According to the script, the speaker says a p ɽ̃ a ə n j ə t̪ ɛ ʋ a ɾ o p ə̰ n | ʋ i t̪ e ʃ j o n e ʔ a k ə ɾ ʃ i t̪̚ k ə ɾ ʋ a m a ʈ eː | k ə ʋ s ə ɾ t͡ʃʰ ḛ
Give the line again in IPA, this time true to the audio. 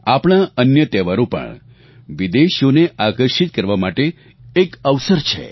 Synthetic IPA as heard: a p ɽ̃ a ə n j ə t̪ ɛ ʋ a ɾ o p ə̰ ɳ | ʋ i d̪ e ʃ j o n e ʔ a k ə ɾ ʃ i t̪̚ k ə ɾ ʋ a m a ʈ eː | k ə ʋ s ə ɾ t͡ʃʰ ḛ